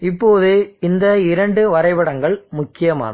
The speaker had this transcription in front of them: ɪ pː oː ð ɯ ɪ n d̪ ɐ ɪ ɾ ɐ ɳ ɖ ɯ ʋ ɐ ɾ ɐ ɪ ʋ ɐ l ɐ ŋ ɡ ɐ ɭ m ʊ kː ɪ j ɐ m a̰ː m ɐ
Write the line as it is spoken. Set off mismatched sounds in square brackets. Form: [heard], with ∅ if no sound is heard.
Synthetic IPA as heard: ɪ pː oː ð ɯ ɪ n d̪ ɐ ɪ ɾ ɐ ɳ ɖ ɯ ʋ ɐ ɾ ɐ ɪ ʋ ɐ [ɽ] ɐ ŋ ɡ ɐ ɭ m ʊ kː ɪ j ɐ m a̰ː [n] ɐ

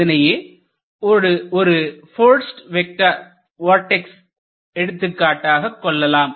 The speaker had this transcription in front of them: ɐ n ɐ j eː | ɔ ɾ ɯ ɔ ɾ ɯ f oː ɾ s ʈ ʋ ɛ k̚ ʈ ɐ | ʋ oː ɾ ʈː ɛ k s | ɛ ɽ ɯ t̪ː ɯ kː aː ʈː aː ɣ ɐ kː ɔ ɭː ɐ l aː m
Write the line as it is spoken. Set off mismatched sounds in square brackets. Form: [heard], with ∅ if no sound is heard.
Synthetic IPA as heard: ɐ n ɐ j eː | ɔ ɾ ɯ ɔ ɾ ɯ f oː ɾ s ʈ ʋ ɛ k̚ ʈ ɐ | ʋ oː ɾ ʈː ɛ k s | ɛ ɽ ɯ t̪ː ɯ kː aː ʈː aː ɣ ɐ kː ɔ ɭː ɐ l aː m

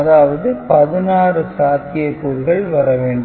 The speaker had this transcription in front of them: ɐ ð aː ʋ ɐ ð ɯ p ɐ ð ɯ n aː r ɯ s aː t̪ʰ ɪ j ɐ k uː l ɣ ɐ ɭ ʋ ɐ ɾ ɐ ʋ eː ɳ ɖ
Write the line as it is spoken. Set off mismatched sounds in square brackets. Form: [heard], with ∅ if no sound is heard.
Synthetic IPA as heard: ɐ ð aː ʋ ɐ ð ɯ p ɐ ð ɯ n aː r ɯ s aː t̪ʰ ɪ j ɐ k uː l ɣ ɐ ɭ ʋ ɐ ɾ ɐ ʋ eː ɳ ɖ

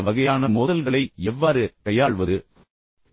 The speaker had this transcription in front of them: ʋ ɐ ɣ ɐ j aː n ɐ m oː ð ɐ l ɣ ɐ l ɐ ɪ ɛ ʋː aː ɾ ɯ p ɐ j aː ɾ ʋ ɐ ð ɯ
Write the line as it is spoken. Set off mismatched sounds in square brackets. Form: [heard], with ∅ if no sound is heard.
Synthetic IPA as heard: ʋ ɐ ɣ ɐ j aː n ɐ m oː ð ɐ l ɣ ɐ [ɭ] ɐ ɪ ɛ ʋː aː ɾ ɯ [k] ɐ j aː [ɭ] ʋ ɐ ð ɯ

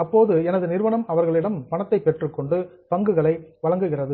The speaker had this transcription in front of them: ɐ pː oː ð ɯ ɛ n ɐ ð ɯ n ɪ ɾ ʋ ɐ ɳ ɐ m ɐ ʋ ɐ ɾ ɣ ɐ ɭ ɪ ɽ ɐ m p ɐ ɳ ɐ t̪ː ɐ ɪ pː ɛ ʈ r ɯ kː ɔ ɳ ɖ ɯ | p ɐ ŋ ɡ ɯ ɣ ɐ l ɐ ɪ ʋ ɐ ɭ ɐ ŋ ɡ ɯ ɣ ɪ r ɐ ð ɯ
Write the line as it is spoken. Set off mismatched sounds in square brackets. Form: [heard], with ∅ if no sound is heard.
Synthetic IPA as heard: ɐ pː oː ð ɯ ɛ n ɐ ð ɯ n ɪ ɾ ʋ ɐ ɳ ɐ m ɐ ʋ ɐ ɾ ɣ ɐ ɭ ɪ ɽ ɐ m p ɐ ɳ ɐ t̪ː ɐ ɪ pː ɛ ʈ r ɯ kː ɔ ɳ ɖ ɯ | p ɐ ŋ ɡ ɯ ɣ ɐ [ɭ] ɐ ɪ ʋ ɐ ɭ ɐ ŋ ɡ ɯ ɣ ɪ r ɐ ð ɯ

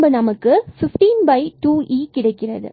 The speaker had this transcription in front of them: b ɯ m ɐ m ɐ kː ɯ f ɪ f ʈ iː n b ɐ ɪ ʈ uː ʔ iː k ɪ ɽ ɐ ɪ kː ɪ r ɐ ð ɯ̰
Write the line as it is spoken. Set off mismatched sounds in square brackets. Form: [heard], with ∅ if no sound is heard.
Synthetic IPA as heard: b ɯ [n] ɐ m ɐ kː ɯ f ɪ f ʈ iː n b ɐ ɪ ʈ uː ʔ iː k ɪ ɽ ɐ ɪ kː ɪ r ɐ ð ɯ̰

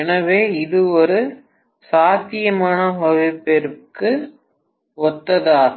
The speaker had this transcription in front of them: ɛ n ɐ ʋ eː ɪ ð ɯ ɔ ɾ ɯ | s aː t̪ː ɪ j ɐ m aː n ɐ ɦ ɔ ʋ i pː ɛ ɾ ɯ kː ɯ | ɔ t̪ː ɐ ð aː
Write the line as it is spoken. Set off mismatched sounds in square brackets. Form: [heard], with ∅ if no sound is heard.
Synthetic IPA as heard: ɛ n ɐ ʋ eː ɪ ð ɯ ɔ ɾ ɯ | s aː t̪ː ɪ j ɐ m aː n ɐ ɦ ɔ ʋ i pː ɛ ɾ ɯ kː ɯ | ɔ t̪ː ɐ ð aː

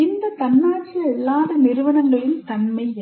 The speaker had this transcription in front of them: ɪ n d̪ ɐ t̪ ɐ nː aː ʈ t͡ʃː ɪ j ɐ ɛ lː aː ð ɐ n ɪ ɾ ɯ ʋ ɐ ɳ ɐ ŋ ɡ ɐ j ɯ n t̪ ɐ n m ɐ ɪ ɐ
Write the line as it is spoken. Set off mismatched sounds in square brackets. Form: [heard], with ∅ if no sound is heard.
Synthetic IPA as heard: ɪ n d̪ ɐ t̪ ɐ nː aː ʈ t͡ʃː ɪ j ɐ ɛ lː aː ð ɐ n ɪ ɾ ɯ ʋ ɐ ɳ ɐ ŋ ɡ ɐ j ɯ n t̪ ɐ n m ɐ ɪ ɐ

